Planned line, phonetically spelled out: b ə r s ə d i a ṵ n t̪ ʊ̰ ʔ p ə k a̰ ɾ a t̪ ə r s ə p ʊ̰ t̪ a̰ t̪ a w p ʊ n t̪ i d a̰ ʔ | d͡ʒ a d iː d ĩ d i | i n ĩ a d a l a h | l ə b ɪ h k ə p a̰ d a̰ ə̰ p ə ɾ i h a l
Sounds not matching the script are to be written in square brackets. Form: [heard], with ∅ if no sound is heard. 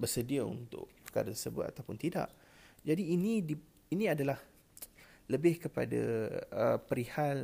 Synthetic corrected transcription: b ə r s ə d i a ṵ n t̪ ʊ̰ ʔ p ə k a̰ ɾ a t̪ ə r s ə [b] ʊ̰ t̪ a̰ t̪ a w p ʊ n t̪ i d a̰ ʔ | d͡ʒ a d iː [n] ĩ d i | i n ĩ a d a l a h | l ə b ɪ h k ə p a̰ d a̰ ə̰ p ə ɾ i h a l